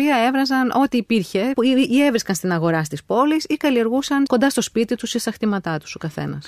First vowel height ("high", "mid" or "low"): high